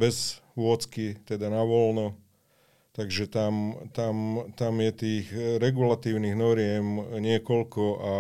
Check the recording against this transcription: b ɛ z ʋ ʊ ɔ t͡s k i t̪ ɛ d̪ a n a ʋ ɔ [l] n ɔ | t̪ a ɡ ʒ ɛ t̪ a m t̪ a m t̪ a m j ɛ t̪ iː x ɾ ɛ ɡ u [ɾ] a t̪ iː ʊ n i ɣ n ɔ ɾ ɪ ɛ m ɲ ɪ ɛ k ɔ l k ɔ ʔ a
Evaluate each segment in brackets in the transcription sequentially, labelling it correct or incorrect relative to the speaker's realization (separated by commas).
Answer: correct, incorrect